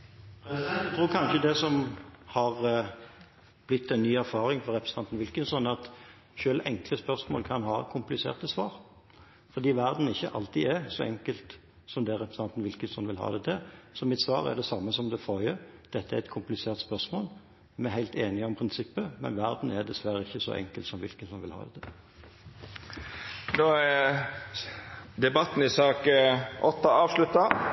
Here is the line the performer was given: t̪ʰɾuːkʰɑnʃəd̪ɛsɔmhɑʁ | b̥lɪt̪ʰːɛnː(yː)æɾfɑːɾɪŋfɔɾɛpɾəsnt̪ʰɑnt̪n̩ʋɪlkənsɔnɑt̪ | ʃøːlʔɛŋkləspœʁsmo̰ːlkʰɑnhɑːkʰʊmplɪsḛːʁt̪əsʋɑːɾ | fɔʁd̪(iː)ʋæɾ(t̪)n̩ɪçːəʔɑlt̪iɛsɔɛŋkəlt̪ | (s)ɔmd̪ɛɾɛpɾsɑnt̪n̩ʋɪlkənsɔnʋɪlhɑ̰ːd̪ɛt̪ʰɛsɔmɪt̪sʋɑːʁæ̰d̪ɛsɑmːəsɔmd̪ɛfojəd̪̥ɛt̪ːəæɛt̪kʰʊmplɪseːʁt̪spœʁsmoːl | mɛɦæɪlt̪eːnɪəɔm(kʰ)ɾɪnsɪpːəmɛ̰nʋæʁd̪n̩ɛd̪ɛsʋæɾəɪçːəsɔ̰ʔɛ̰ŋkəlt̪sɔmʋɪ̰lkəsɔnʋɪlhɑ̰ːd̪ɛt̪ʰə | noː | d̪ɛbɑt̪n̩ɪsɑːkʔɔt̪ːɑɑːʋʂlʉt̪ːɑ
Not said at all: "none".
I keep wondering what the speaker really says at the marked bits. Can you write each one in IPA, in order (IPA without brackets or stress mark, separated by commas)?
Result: yː, iː, d̪, s, pʰ